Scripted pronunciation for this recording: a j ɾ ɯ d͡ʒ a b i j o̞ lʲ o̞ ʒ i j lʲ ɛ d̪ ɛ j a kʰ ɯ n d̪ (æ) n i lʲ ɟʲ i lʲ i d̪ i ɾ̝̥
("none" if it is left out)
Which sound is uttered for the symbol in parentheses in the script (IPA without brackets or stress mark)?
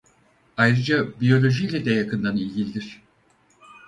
a